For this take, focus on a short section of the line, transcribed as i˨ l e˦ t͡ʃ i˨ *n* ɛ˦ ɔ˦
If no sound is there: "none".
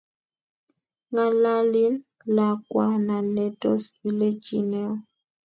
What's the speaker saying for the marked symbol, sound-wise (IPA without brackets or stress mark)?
n